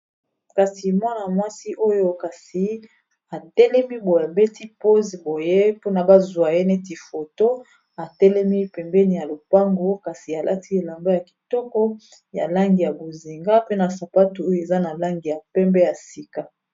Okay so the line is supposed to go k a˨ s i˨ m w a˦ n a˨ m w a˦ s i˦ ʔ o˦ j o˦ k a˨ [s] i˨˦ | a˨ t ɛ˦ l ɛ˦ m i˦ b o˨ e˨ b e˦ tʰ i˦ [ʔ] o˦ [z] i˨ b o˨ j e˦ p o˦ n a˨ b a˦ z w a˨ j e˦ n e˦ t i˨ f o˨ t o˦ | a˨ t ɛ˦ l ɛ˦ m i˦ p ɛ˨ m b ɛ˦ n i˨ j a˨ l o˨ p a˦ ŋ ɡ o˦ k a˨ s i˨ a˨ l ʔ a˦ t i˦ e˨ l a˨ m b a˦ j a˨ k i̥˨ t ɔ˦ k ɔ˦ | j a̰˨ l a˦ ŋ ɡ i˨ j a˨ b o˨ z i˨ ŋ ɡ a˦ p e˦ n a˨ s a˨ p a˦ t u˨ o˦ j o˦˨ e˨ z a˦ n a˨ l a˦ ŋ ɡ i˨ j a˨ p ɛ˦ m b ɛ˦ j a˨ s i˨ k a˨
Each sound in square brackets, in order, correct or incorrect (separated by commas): correct, incorrect, correct